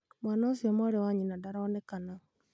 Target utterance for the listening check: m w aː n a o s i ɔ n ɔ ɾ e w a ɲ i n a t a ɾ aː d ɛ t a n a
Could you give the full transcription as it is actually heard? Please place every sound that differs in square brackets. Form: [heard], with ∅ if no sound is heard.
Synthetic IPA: m w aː n a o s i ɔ [m] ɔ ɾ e w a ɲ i n a [d] a ɾ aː [n] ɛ [k] a n a

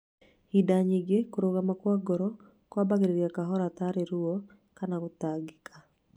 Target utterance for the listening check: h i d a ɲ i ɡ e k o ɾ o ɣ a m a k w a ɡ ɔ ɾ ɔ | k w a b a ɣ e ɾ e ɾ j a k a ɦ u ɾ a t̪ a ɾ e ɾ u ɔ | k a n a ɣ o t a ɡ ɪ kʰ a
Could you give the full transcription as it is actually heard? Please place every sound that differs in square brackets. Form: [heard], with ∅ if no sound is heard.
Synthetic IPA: h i d a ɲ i ɡ e k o ɾ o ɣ a m a k w a ɡ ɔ ɾ ɔ | k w a b a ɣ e ɾ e ɾ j a k a ɦ [ɔ] ɾ a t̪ a ɾ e ɾ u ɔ | k a n a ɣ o t a ɡ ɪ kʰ a

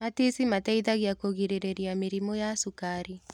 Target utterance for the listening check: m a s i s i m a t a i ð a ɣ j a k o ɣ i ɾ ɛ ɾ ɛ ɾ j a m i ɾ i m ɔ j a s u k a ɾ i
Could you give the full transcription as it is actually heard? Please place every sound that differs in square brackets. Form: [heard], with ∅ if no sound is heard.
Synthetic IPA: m a [t] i s i m a t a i ð a ɣ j a k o ɣ i ɾ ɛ ɾ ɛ ɾ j a m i ɾ i m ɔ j a s u k a ɾ i

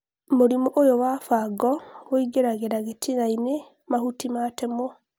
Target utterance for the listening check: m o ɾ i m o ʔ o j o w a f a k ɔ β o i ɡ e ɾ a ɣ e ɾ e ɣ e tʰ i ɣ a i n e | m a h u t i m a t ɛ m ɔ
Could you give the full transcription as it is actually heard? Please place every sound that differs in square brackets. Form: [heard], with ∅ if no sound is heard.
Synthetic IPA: m o ɾ i m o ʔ o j o w a f a [ɡ] ɔ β o i ɡ e ɾ a ɣ e ɾ [a] ɣ e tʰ i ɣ a i n e | m a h u t i m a t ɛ m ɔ

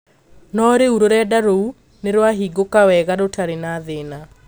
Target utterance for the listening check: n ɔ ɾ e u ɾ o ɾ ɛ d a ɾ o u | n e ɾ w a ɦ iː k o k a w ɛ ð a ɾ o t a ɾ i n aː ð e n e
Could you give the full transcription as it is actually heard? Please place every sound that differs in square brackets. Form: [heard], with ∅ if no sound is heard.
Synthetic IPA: n ɔ ɾ e u ɾ o ɾ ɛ d a ɾ o u | n e ɾ w a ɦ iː [ɡ] o k a w ɛ [ɣ] a ɾ o t a ɾ [e] n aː ð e n [a]

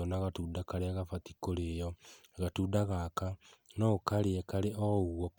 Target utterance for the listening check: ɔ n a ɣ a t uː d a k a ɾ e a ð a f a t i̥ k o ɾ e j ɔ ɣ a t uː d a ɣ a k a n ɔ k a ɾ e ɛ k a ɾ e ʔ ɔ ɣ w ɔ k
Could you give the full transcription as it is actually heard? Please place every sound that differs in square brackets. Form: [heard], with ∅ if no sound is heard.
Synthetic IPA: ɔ n a ɣ a t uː d a k a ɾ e a [ɣ] a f a t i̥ k o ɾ e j ɔ ɣ a t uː d a ɣ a k a n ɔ k a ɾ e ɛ k a ɾ e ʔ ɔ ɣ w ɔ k

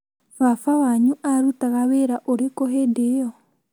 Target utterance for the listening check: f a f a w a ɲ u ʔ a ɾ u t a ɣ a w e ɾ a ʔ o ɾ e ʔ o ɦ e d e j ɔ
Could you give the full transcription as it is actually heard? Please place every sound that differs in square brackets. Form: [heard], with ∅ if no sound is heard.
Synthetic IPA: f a f a w a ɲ u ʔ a ɾ u t a ɣ a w e ɾ a ʔ o ɾ e [k] o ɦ e d e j ɔ

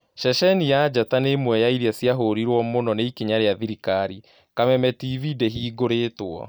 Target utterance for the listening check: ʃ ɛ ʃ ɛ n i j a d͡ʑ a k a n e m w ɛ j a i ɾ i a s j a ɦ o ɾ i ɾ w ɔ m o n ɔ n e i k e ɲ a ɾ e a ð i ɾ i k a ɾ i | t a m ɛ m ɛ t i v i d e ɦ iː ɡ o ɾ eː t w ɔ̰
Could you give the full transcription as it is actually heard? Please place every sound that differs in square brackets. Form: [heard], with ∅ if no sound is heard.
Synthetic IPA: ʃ ɛ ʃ ɛ n i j a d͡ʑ a [t] a n e m w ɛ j a i ɾ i a s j a ɦ o ɾ i ɾ w ɔ m o n ɔ n e i k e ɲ a ɾ e a ð i ɾ i k a ɾ i | [k] a m ɛ m ɛ t i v i d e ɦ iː ɡ o ɾ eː t w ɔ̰

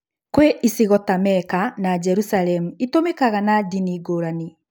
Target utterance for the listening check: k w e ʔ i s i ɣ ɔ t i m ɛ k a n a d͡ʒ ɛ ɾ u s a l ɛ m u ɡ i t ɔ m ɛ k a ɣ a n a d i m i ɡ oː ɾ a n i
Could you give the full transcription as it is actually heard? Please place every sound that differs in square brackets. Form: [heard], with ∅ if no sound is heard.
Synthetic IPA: k w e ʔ i s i ɣ ɔ t [a] m ɛ k a n a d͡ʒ ɛ ɾ u s a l ɛ m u [∅] i t [o] m [e] k a ɣ a n a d i [n] i ɡ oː ɾ a n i

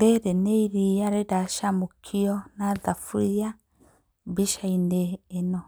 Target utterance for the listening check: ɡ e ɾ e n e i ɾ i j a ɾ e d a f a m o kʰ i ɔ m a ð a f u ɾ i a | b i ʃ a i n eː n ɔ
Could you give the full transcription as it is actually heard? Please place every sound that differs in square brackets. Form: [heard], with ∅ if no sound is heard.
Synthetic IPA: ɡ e ɾ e n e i ɾ i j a ɾ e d a [ʃ] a m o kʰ i ɔ [n] a ð a f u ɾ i a | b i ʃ a i n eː n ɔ

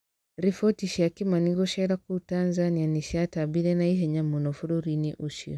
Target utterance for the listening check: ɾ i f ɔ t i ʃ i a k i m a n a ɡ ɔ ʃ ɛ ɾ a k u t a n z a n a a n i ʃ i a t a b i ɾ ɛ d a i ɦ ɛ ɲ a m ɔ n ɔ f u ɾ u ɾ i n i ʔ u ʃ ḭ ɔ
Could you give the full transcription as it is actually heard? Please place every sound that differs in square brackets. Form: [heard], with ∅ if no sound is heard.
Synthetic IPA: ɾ i f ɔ t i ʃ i a k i m a n [i] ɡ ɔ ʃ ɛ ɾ a k u t a n z a n [i] a n i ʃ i a t a b i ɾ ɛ [n] a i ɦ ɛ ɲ a m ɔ n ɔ f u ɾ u ɾ i n i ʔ u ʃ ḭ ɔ

